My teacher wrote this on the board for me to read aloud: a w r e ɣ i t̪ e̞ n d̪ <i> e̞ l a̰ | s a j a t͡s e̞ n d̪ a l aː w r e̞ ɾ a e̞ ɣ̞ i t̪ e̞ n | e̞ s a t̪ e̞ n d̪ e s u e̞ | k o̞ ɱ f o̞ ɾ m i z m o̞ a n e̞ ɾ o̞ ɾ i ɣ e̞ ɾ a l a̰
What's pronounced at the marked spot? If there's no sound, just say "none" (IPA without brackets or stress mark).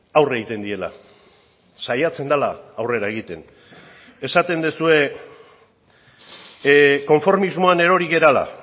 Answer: i